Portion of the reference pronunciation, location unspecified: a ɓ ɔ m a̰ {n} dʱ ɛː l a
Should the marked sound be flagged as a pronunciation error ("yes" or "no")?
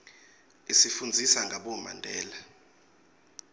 no